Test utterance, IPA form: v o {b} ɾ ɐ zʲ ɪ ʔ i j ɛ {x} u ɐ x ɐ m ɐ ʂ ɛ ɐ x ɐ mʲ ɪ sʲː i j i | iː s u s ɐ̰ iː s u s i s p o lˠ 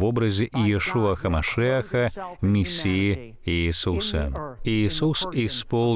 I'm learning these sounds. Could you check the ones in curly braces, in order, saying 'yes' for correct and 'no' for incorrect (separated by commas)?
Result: yes, no